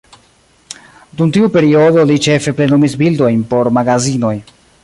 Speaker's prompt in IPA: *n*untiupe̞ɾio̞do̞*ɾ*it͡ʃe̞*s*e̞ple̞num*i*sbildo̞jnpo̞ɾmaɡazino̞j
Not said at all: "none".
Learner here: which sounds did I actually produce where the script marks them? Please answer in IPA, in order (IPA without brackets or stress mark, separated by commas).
d, l, f, i